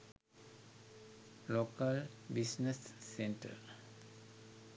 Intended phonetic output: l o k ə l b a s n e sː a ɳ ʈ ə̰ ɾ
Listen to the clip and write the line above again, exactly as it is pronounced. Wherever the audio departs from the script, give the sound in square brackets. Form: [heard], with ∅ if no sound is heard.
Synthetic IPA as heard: l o k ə l b [i] s n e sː [e] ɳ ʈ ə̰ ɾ